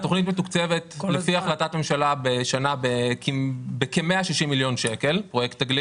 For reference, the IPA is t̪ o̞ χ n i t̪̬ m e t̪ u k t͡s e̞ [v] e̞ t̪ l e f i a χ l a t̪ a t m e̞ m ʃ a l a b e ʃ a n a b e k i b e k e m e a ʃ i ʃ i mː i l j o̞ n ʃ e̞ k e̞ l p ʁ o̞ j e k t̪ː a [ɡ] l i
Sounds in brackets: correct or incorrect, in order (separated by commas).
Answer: correct, correct